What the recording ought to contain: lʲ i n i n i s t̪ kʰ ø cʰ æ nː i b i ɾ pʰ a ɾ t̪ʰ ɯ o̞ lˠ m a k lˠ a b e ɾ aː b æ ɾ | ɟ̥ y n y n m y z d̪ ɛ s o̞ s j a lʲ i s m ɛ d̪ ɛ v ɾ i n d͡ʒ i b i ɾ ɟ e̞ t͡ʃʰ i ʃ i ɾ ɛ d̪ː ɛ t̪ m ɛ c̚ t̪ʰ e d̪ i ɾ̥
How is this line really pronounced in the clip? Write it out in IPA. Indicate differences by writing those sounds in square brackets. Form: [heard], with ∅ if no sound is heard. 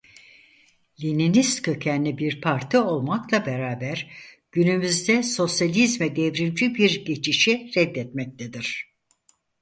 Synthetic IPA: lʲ i n i n i s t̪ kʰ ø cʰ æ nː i b i ɾ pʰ a ɾ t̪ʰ ɯ o̞ lˠ m a k lˠ a b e ɾ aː b æ ɾ | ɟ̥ y n y [∅] m y z d̪ ɛ s o̞ s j a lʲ i [z] m ɛ d̪ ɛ v ɾ i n d͡ʒ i b i ɾ ɟ e̞ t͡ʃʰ i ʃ i ɾ ɛ d̪ː ɛ t̪ m ɛ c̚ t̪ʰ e d̪ i ɾ̥